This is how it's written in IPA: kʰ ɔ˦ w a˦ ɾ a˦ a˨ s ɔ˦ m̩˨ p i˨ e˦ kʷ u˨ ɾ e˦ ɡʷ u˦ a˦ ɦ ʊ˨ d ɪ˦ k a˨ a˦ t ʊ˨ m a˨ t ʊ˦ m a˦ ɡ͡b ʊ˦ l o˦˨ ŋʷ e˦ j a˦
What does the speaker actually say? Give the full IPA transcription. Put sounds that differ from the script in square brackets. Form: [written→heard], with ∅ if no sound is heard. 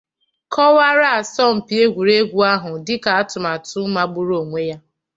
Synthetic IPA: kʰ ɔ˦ w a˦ ɾ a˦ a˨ s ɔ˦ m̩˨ p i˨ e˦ [kʷ→ɡʷ] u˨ ɾ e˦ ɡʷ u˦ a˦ ɦ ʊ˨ d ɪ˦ k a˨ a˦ t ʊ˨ m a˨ t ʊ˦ m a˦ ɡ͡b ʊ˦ [l→ɾ] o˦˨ ŋʷ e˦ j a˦